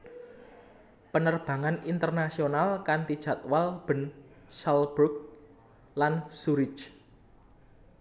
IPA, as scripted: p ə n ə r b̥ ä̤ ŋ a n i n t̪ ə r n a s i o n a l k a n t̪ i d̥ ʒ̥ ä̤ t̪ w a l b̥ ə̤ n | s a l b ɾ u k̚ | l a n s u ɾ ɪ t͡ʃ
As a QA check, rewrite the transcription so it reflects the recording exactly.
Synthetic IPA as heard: p ə n ə r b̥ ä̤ ŋ a n i n t̪ ə r n a s i o n a l k a n t̪ i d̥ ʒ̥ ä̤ t̪ w a l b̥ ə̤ n | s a l b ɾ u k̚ | l a n s u ɾ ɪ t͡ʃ

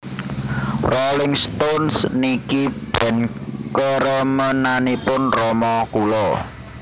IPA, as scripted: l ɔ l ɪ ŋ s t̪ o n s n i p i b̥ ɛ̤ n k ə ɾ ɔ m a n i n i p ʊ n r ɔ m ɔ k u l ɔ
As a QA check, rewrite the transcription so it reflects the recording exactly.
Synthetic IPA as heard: r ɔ l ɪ ŋ s t̪ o n s n i k i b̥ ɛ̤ n k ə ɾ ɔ m ə n a n i p ʊ n r ɔ m ɔ k u l ɔ

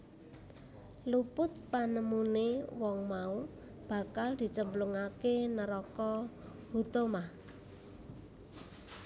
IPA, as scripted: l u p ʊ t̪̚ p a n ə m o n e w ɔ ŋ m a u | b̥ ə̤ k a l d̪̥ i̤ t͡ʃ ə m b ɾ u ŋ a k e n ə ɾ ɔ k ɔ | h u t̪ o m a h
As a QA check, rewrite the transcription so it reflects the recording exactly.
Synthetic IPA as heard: l u p ʊ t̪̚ p a n ə m u n e w ɔ ŋ m a u | b̥ a̤ k a l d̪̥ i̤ t͡ʃ ə m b l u ŋ a k e n ə ɾ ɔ k ɔ | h u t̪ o m a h

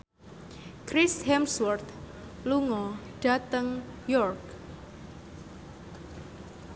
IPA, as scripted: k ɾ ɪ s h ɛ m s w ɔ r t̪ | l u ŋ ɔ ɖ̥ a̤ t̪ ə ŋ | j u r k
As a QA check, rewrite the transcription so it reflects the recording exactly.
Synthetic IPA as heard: k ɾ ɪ s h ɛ m s w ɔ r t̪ | l u ŋ ɔ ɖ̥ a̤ t̪ ə ŋ | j ɔ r k

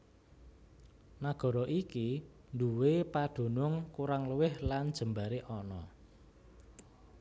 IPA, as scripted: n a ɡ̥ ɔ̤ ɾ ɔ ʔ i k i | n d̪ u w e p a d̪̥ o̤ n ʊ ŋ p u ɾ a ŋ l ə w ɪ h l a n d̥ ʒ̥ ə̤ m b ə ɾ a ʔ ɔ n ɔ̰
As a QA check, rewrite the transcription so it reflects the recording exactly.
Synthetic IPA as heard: n a ɡ̥ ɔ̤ ɾ ɔ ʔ i k i | n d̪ u w e p a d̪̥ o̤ n ʊ ŋ k u ɾ a ŋ l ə w ɪ h l a n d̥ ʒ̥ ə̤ m b a ɾ e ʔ ɔ n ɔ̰

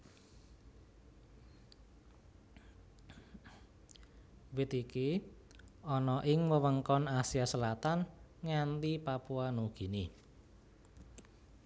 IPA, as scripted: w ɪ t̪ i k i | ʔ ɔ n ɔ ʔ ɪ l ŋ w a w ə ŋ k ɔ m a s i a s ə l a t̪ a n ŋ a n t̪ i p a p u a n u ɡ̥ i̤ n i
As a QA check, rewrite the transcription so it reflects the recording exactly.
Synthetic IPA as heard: w ɪ t̪ i k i | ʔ ɔ n ɔ ʔ ɪ ŋ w ə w ə ŋ k ɔ n a s i a s ə l a t̪ a n ŋ a n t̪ i p a p u a n u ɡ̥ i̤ n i

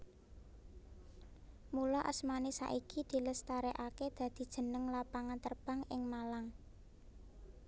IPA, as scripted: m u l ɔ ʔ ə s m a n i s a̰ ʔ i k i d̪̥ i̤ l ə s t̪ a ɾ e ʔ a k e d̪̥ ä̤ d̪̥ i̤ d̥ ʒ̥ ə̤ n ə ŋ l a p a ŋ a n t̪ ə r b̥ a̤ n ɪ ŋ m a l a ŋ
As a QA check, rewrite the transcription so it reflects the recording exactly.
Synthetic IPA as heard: m u l ɔ ʔ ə s m a n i s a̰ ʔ i k i d̪̥ i̤ l ə s t̪ a ɾ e ʔ a k e d̪̥ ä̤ d̪̥ i̤ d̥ ʒ̥ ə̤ n ə ŋ l a p a ŋ a n t̪ ə r b̥ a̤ ŋ ɪ ŋ m a l a ŋ

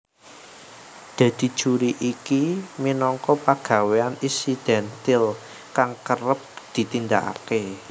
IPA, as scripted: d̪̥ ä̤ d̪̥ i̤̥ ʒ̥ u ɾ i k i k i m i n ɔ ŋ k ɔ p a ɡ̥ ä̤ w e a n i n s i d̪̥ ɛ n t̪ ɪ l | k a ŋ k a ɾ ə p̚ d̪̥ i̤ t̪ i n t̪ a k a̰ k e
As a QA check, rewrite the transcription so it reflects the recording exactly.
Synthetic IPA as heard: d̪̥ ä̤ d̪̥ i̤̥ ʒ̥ u ɾ i ʔ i k i m i n ɔ ŋ k ɔ p a ɡ̥ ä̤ w e a n i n s i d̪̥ ɛ n t̪ ɪ l | k a ŋ k ə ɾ ə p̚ d̪̥ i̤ t̪ i n d̪ a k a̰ k e

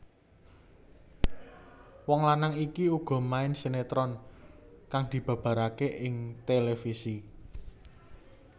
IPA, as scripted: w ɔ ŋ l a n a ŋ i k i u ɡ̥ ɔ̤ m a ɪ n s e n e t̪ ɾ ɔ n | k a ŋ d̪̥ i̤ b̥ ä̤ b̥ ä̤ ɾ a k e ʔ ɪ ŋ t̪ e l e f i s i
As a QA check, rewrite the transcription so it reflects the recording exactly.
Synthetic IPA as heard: w ɔ ŋ l a n a ŋ i k i u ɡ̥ ɔ̤ m a ɪ n s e n e t̪ ɾ ɔ n | k a ŋ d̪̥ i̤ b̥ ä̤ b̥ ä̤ ɾ a k e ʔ ɪ ŋ t̪ e l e f i s i

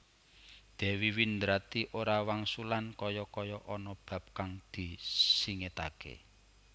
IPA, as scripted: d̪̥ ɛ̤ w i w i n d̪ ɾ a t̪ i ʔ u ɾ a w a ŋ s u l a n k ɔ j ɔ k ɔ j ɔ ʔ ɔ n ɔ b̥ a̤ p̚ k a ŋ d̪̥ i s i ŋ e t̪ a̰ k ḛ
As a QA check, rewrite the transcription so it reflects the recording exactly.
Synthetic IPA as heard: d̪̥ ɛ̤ w i w i n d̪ ɾ a t̪ i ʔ o ɾ a w a ŋ s u l a n k ɔ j ɔ k ɔ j ɔ ʔ ɔ n ɔ b̥ a̤ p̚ k a ŋ d̪̥ i s i ŋ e t̪ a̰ k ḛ

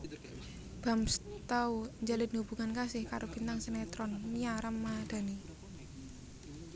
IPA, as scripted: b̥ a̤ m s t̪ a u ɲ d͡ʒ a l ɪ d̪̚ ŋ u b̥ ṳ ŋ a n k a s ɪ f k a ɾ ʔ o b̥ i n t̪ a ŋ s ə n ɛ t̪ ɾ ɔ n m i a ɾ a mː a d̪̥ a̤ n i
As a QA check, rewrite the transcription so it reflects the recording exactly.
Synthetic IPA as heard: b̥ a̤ m s t̪ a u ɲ d͡ʒ a l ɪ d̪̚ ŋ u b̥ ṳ ŋ a n k a s ɪ h k a ɾ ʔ o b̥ i n t̪ a ŋ s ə n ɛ t̪ ɾ ɔ n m i a ɾ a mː a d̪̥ a̤ n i

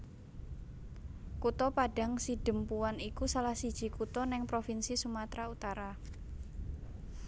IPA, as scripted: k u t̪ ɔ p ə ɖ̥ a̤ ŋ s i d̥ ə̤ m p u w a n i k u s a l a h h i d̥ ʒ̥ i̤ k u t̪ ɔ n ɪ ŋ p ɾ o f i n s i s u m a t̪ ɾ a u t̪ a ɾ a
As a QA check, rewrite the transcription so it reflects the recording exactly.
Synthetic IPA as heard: k u t̪ ɔ p a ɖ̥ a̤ ŋ s i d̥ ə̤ m p u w a n i k u s a l a h s i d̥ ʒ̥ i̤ k u t̪ ɔ n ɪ ŋ p ɾ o f i n s i s u m a t̪ ɾ a u t̪ a ɾ a

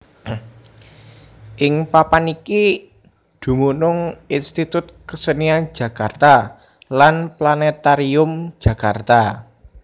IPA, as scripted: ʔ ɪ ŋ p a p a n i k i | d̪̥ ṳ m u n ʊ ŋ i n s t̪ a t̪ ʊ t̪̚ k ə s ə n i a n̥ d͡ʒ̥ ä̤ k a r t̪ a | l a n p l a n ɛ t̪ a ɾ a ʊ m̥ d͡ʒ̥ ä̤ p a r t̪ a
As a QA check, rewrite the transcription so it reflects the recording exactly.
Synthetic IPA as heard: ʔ ɪ ŋ p a p a n i k i | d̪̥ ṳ m u n ʊ ŋ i n s t̪ i t̪ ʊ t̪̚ k ə s ə n i a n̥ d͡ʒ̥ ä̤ k a r t̪ a | l a n p l a n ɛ t̪ a ɾ i ʊ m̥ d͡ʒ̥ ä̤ k a r t̪ a

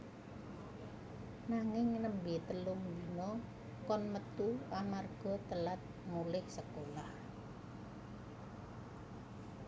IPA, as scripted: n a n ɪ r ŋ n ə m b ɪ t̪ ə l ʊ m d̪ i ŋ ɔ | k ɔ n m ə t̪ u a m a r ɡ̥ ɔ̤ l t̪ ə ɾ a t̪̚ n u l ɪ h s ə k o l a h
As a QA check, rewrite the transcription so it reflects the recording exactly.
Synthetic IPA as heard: n a ŋ ɪ ŋ n ə m b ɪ t̪ ə l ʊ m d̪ i n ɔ | k ɔ n m ə t̪ u a m a r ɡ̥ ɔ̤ t̪ ə l a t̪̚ m u l ɪ h s ə k o l a h

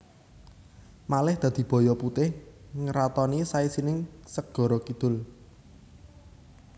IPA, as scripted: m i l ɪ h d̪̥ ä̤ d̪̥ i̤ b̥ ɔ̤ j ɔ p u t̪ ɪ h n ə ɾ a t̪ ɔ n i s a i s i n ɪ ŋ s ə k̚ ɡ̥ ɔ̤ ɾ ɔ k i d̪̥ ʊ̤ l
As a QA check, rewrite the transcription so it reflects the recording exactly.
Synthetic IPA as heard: m a l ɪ h d̪̥ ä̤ d̪̥ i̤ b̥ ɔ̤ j ɔ p u t̪ ɪ h ŋ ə ɾ a t̪ ɔ n i s a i s i n ɪ ŋ s ə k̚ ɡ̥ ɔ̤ ɾ ɔ k i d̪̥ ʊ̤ l

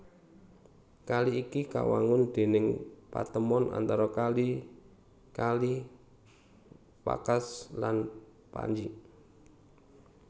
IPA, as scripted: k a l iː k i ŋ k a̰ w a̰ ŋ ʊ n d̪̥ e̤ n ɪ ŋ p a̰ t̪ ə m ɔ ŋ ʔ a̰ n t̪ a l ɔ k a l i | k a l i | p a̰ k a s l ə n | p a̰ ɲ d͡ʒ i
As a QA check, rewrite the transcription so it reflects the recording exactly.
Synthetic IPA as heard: k a l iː k i k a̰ w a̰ ŋ ʊ n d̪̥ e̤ n ɪ ŋ p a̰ t̪ ə m ɔ n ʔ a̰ n t̪ a ɾ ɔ k a l i | k a l i | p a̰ k a s l a n | p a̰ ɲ d͡ʒ i

